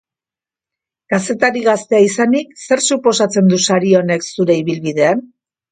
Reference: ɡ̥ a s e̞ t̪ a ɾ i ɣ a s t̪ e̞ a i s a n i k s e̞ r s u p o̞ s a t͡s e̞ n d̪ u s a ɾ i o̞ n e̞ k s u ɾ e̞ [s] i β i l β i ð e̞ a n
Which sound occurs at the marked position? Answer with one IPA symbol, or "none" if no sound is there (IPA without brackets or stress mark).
none